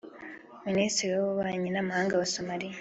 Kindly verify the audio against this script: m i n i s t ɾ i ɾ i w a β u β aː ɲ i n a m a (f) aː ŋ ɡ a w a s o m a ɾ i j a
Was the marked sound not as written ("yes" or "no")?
yes